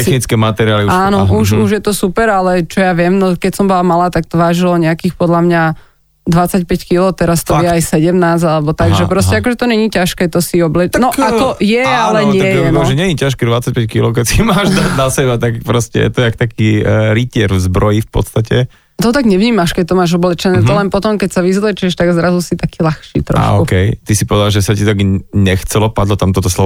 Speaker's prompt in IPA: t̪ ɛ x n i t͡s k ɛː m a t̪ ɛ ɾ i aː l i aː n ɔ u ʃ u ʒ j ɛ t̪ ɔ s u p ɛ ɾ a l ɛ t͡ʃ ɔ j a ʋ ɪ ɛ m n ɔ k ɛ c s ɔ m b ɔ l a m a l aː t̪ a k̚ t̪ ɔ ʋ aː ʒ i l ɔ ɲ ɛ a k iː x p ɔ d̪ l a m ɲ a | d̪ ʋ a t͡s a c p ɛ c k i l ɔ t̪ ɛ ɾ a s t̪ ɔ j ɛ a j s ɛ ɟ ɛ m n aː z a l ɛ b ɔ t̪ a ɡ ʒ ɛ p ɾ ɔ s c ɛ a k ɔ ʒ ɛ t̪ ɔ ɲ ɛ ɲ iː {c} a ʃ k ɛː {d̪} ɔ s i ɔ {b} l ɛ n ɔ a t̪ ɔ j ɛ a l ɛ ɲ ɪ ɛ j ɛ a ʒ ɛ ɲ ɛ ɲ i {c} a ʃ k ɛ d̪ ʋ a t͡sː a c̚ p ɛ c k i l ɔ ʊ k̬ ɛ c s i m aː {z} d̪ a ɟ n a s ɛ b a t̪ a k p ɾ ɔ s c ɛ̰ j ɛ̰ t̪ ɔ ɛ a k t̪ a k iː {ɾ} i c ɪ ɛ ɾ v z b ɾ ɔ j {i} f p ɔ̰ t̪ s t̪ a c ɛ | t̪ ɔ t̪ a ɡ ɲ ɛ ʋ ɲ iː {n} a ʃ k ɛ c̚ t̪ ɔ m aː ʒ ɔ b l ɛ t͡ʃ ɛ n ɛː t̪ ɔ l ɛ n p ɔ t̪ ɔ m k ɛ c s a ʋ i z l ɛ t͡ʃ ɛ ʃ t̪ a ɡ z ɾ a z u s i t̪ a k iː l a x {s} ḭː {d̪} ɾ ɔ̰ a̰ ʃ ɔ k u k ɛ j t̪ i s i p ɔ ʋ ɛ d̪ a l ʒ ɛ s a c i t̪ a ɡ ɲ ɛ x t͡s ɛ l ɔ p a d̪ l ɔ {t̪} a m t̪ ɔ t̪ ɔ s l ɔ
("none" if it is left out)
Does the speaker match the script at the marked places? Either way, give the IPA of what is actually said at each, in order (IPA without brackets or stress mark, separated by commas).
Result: c, t̪, b, c, ʒ, ɾ, i, m, ʃ, t̪, t̪